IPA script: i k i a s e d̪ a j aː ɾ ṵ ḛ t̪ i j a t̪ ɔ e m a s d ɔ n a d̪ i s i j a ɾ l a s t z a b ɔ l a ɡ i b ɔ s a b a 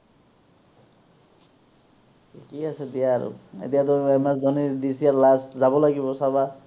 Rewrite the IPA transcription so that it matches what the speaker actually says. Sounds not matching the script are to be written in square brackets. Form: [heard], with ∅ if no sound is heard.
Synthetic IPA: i k i a s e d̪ [i] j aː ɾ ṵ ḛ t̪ i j a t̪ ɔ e m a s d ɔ n [i] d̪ i s i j a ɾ l a s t z a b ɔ l a ɡ i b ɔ s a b a

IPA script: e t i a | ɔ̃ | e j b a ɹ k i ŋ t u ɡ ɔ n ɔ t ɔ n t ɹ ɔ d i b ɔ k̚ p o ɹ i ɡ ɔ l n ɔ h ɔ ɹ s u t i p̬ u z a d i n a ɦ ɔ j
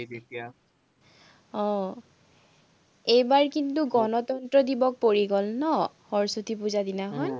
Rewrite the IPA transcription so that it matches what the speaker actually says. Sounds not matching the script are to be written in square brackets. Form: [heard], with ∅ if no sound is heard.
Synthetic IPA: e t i a | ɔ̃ | e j b a ɹ k i [n] t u ɡ ɔ n ɔ t ɔ n t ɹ ɔ d i b ɔ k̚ p o ɹ i ɡ ɔ l n ɔ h ɔ ɹ s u t i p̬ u z a d i n a ɦ ɔ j

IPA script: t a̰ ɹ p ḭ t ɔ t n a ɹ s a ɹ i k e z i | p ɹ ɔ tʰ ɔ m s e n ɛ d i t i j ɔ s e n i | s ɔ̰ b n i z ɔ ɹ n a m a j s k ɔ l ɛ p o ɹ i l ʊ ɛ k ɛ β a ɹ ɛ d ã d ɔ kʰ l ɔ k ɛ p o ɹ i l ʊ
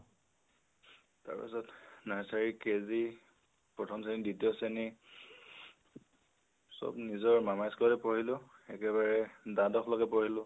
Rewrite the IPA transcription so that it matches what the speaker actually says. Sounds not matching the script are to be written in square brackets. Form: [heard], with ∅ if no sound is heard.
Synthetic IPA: t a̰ ɹ p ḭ [s] ɔ t n a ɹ s a ɹ i k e z i | p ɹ ɔ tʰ ɔ m s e n [i] d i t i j ɔ s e n i | s ɔ̰ b n i z ɔ ɹ [m] a m a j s k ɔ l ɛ p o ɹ i l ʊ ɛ k ɛ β a ɹ ɛ d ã d ɔ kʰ l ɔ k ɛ p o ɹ i l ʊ

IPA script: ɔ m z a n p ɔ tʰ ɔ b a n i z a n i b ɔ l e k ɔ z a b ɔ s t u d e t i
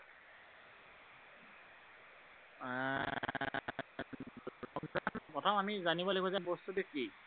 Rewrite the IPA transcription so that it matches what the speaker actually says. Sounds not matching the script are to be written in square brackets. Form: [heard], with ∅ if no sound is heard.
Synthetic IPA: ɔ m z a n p ɔ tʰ ɔ [m] a [m] i z a n i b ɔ l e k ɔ z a b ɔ s t u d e [k] i

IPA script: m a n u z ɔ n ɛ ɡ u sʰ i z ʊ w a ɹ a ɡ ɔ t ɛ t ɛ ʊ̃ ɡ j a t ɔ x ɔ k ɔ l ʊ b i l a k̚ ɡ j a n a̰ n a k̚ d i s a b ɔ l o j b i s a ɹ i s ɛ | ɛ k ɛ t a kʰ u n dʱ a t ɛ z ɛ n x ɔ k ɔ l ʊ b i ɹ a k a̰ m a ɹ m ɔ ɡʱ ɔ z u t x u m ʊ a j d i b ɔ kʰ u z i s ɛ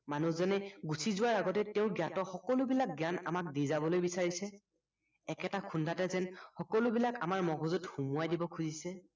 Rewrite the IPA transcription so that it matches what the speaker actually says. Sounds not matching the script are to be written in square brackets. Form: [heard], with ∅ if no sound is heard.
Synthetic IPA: m a n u z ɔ n ɛ ɡ u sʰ i z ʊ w a ɹ a ɡ ɔ t ɛ t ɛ ʊ̃ ɡ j a t ɔ x ɔ k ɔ l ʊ b i l a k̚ ɡ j a n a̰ [m] a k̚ d i [z] a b ɔ l o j b i s a ɹ i s ɛ | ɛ k ɛ t a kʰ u n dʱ a t ɛ z ɛ n x ɔ k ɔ l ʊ b i [l] a k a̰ m a ɹ m ɔ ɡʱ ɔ z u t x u m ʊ a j d i b ɔ kʰ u z i s ɛ

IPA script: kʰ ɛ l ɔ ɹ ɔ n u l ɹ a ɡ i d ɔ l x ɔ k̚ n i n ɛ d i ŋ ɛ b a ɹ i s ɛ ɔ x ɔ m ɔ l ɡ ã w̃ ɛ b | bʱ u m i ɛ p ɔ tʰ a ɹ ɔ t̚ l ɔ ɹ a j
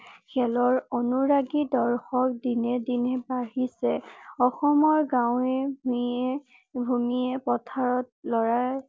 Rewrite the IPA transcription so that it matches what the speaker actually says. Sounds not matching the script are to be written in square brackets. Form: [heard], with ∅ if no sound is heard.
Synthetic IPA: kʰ ɛ l ɔ ɹ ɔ n u [∅] ɹ a ɡ i d ɔ [ɹ] x ɔ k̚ [d] i n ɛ d i [n] ɛ b a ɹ i s ɛ ɔ x ɔ m ɔ [ɹ] ɡ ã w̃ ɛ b | bʱ u m i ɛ p ɔ tʰ a ɹ ɔ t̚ l ɔ ɹ a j

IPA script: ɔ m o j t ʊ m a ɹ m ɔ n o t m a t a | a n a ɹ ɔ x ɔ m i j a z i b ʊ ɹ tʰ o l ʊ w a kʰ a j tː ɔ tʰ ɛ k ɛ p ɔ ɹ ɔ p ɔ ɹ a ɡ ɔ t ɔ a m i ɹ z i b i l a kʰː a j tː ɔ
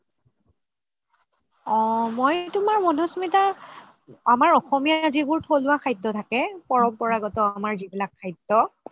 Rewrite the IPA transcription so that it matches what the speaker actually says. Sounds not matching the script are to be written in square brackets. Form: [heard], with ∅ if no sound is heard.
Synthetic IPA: ɔ m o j t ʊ m a ɹ m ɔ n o [s] m [i] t a | a [m] a ɹ ɔ x ɔ m i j a z i b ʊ ɹ tʰ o l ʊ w a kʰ a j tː ɔ tʰ [a] k ɛ p ɔ ɹ ɔ p ɔ ɹ a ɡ ɔ t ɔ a m [a] ɹ z i b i l a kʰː a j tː ɔ

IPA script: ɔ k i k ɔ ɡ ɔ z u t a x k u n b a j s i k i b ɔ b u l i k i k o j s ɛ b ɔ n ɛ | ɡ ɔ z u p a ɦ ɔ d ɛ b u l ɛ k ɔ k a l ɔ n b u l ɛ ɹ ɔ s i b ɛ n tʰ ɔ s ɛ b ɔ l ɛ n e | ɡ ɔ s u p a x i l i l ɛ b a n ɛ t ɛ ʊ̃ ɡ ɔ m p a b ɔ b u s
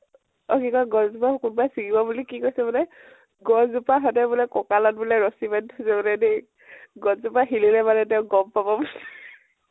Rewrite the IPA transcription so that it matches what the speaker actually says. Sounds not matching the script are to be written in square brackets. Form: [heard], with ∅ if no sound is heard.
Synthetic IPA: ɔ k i k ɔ ɡ ɔ z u [p] a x k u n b a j s i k i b ɔ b u l i k i k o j s ɛ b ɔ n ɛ | ɡ ɔ z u p a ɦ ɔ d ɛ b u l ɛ k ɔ k a l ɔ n b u l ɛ ɹ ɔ s i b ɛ n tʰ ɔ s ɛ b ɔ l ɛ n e | ɡ ɔ [z] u p a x i l i l ɛ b a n ɛ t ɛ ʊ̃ ɡ ɔ m p a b ɔ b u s

